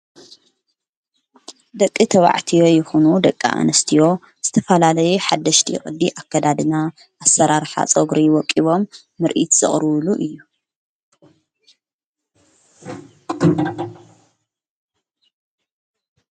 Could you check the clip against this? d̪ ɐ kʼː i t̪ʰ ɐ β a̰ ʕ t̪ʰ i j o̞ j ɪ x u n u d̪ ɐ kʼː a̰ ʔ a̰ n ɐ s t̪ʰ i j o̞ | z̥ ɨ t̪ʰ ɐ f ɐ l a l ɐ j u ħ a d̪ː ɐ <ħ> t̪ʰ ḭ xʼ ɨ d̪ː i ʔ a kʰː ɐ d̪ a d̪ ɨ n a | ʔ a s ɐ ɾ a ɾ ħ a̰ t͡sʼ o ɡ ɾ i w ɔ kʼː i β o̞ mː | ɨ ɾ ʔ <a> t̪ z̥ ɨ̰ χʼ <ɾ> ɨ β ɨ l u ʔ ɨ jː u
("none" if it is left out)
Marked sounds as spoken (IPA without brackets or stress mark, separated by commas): ʃ, i, ɾ